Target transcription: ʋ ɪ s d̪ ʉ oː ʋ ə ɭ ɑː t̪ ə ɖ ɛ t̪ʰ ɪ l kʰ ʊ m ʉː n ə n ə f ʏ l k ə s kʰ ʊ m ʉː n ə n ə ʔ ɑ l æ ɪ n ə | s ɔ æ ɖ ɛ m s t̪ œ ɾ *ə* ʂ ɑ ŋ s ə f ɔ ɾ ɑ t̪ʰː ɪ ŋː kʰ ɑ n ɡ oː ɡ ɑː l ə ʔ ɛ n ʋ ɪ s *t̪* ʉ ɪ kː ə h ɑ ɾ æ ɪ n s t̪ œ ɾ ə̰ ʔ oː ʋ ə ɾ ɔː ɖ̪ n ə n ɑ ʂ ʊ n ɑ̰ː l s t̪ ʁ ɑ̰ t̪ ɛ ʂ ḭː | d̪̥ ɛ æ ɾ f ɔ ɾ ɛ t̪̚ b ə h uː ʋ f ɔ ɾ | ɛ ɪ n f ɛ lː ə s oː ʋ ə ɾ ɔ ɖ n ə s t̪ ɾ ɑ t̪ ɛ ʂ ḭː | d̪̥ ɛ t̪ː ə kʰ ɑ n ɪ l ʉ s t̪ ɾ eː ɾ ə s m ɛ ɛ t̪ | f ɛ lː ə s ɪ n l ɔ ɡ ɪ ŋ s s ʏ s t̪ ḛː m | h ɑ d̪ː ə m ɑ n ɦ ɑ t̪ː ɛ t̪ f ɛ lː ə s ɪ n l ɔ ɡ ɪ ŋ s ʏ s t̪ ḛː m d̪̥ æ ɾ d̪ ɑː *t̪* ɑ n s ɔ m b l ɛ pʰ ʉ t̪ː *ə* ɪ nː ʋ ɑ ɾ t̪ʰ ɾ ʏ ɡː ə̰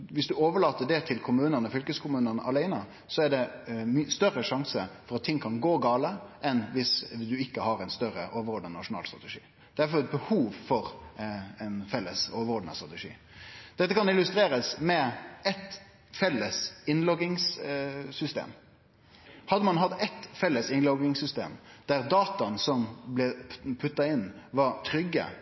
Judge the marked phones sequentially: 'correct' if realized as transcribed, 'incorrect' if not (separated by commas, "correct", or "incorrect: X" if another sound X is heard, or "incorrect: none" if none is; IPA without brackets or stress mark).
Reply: correct, incorrect: d̪, correct, incorrect: ɑ